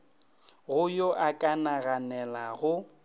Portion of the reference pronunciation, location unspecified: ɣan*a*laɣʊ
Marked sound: incorrect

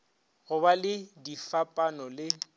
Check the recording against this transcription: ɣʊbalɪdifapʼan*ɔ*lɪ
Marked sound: correct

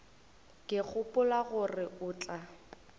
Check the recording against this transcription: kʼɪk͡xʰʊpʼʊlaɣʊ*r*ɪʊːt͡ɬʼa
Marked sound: correct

